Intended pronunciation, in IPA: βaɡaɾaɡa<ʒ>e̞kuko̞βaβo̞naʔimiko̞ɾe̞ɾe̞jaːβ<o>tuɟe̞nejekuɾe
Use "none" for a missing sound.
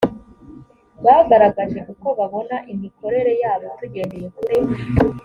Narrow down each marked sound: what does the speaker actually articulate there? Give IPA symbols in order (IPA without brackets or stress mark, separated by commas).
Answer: ʒ, o